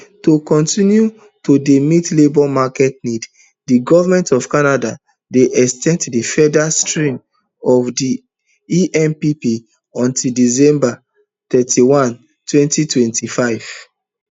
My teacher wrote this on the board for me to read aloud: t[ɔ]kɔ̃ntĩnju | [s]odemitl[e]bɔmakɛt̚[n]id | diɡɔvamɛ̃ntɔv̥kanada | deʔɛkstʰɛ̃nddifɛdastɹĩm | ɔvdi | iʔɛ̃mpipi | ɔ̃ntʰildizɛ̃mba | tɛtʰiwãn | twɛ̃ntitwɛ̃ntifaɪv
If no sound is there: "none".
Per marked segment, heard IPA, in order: o, t, e, n

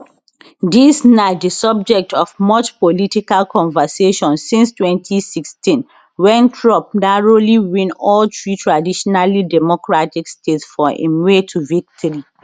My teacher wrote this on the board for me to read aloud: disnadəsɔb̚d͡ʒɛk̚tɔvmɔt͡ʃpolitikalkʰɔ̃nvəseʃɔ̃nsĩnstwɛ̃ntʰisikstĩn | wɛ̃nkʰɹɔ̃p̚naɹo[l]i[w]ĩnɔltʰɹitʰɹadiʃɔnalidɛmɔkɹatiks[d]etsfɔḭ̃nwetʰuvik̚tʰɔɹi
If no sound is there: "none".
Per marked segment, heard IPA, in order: l, w, t

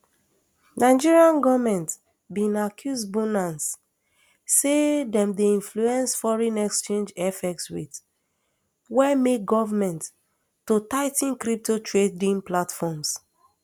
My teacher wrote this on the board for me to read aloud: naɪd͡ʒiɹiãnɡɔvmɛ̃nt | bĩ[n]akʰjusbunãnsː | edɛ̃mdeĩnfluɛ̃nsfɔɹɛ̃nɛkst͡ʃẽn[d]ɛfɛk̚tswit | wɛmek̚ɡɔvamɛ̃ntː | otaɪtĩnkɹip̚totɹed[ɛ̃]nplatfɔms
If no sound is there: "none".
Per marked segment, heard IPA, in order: n, d͡ʒ, ĩ

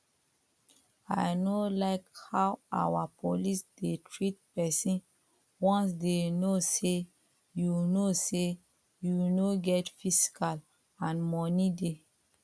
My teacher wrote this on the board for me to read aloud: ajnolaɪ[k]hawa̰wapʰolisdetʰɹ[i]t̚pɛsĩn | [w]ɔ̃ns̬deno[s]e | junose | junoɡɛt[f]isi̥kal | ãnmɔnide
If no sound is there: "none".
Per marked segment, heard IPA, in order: k, i, w, s, f

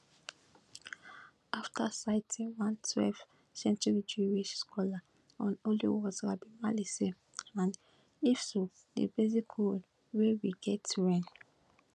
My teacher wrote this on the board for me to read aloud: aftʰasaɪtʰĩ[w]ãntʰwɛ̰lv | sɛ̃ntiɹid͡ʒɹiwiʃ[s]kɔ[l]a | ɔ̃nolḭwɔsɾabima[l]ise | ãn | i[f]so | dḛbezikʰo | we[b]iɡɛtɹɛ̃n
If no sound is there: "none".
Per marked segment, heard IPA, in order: w, s, l, l, f, w

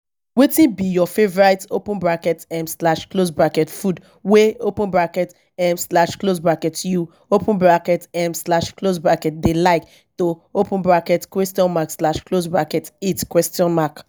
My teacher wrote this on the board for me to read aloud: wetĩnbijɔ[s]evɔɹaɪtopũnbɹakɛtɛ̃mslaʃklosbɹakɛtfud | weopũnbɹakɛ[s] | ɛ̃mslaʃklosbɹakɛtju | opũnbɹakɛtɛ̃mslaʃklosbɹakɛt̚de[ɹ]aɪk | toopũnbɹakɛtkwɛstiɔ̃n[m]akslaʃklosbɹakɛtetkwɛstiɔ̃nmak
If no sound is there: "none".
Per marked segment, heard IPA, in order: f, t, l, m

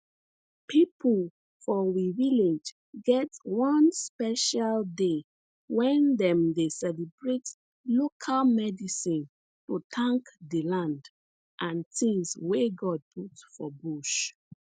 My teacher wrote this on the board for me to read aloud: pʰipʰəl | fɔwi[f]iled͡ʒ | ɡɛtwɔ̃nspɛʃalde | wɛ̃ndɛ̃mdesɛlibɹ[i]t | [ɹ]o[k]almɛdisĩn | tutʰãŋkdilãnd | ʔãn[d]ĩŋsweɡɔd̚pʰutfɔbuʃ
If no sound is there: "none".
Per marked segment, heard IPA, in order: v, e, l, kʰ, t

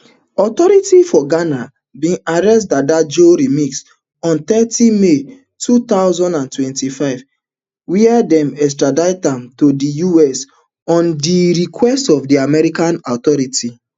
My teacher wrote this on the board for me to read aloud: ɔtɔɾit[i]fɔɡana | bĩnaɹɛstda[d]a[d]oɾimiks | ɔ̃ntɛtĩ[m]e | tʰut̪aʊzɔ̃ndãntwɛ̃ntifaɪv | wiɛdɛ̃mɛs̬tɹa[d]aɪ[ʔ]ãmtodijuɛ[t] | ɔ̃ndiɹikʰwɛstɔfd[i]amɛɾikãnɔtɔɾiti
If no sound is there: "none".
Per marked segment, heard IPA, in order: i, d, d͡ʒ, m, d, t, s, i

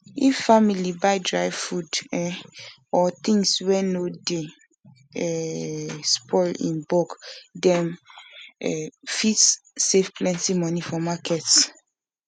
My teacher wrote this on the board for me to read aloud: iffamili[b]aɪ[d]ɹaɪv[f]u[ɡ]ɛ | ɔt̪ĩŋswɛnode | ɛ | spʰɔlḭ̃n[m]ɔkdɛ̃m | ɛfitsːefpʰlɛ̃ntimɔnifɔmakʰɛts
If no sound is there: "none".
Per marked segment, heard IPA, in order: b, d, f, d, b

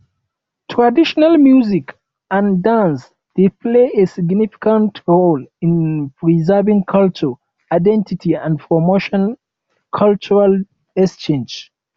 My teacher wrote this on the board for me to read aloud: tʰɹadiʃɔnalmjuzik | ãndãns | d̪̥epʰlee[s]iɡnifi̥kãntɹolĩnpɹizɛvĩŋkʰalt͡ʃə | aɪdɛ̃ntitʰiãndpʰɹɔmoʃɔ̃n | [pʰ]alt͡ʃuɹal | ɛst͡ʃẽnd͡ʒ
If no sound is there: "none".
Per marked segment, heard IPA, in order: s, kʰ

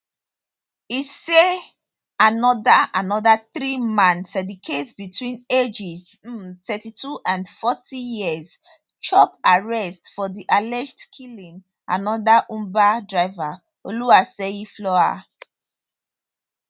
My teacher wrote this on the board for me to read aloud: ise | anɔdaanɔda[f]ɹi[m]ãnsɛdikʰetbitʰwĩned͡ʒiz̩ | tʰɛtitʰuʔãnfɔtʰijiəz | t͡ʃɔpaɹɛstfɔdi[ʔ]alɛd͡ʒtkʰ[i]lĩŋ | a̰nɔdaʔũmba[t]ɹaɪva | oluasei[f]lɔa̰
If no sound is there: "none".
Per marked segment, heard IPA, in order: θ, m, ʔ, i, d, f

